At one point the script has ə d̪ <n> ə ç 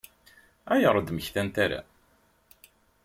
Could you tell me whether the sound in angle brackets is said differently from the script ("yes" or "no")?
yes